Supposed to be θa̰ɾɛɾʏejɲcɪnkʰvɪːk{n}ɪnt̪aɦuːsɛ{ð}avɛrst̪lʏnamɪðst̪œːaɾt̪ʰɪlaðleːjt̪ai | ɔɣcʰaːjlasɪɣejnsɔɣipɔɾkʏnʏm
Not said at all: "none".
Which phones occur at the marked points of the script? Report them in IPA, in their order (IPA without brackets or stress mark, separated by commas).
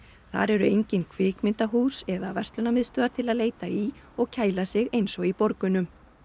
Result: m, ð